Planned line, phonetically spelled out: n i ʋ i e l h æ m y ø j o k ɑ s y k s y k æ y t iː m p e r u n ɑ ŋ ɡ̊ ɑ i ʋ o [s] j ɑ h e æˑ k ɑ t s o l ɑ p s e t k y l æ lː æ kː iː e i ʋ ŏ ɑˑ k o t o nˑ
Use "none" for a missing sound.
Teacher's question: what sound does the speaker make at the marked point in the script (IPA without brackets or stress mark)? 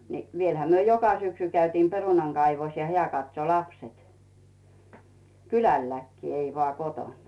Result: s